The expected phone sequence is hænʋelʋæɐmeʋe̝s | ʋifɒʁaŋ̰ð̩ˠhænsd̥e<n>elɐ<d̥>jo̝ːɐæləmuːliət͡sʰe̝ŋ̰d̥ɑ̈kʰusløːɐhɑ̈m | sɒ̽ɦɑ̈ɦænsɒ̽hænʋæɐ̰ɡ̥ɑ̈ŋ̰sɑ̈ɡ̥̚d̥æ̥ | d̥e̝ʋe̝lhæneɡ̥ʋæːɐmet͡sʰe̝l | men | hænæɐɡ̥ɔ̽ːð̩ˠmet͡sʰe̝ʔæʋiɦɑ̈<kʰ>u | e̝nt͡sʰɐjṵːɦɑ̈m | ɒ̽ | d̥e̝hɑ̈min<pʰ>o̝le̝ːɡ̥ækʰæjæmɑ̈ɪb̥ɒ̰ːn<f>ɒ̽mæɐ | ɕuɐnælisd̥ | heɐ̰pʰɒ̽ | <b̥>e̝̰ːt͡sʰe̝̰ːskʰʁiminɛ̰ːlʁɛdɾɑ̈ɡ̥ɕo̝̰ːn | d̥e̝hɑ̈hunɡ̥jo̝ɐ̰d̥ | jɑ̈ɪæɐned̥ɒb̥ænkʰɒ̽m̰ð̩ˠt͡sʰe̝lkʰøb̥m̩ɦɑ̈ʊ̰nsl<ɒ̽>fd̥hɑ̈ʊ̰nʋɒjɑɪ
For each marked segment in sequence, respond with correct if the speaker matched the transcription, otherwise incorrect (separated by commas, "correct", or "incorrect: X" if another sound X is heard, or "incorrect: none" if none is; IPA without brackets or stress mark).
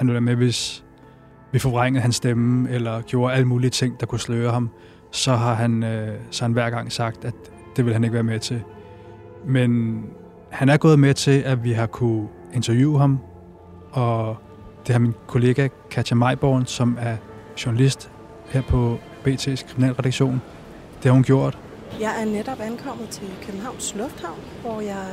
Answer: incorrect: m, incorrect: ɡ̥, correct, incorrect: kʰ, incorrect: s, correct, incorrect: ɔ̽